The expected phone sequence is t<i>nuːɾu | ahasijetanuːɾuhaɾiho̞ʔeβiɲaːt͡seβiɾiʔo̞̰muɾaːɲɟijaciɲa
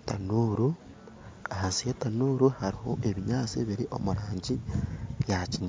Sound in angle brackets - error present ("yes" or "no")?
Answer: yes